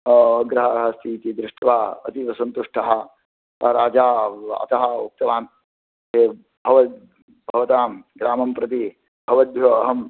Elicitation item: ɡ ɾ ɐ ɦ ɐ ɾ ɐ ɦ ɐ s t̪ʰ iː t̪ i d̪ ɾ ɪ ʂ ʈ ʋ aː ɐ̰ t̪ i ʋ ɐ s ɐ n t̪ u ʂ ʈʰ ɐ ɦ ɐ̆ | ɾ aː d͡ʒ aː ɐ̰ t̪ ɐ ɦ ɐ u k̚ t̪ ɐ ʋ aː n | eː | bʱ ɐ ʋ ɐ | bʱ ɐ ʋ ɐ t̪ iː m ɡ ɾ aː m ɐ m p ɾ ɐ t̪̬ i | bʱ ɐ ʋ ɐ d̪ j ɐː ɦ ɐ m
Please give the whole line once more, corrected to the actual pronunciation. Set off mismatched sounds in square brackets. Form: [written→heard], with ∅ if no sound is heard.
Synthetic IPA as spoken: ɡ ɾ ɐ ɦ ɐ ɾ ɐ ɦ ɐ s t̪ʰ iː t̪ i d̪ ɾ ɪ ʂ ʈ ʋ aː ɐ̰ t̪ i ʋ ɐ s ɐ n t̪ u ʂ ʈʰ ɐ ɦ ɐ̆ | ɾ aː d͡ʒ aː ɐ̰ t̪ ɐ ɦ ɐ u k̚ t̪ ɐ ʋ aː n | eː | bʱ ɐ ʋ ɐ | bʱ ɐ ʋ ɐ t̪ [iː→aː] m ɡ ɾ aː m ɐ m p ɾ ɐ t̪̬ i | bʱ ɐ ʋ ɐ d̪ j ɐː ɦ ɐ m